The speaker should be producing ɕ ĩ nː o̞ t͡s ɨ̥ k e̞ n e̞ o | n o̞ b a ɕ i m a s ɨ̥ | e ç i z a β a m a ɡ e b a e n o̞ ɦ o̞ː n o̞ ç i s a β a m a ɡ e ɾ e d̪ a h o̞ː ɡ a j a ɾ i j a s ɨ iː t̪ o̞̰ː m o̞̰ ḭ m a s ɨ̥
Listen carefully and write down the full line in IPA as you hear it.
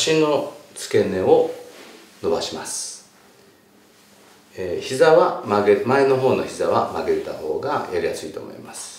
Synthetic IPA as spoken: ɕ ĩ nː o̞ t͡s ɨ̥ k e̞ n e̞ o | n o̞ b a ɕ i m a s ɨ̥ | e ç i z a β a m a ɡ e m a e n o̞ ɦ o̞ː n o̞ ç i z a β a m a ɡ e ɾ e t̪ a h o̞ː ɡ a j a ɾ i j a s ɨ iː t̪ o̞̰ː m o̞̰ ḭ m a s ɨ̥

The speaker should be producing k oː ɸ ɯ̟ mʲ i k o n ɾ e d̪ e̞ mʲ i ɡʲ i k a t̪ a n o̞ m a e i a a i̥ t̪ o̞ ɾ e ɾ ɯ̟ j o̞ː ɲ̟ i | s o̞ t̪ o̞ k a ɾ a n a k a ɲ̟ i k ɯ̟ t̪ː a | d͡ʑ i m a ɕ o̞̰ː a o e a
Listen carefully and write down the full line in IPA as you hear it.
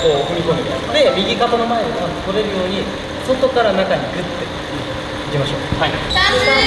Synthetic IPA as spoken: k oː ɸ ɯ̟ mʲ i k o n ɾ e d̪ e̞ mʲ i ɡʲ i k a t̪ a n o̞ m a e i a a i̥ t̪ o̞ ɾ e ɾ ɯ̟ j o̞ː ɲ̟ i | s o̞ t̪ o̞ k a ɾ a n a k a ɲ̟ i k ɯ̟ t̪ː e | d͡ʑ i m a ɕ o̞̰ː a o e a

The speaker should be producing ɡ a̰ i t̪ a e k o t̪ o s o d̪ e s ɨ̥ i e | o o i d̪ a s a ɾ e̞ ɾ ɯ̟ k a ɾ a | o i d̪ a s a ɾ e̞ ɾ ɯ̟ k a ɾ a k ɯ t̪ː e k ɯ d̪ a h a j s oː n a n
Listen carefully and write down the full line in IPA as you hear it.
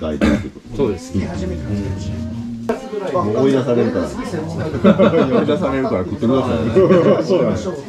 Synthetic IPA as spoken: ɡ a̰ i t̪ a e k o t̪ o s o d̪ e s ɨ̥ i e | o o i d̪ a s a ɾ e̞ ɾ ɯ̟ k a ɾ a | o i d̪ a s a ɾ e̞ ɾ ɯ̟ k a ɾ a k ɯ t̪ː e k ɯ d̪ a s a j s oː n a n

